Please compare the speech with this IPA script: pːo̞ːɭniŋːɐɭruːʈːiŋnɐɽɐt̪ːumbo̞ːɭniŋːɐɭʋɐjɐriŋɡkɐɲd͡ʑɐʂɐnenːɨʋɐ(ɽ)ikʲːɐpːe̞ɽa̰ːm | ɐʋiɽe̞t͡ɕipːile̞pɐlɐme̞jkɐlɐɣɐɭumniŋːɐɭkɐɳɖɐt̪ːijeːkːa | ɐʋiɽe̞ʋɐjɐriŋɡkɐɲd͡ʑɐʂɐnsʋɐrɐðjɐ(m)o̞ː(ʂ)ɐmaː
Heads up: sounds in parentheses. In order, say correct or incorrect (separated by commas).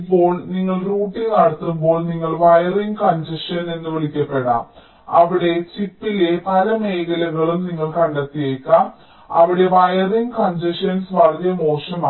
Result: incorrect, correct, correct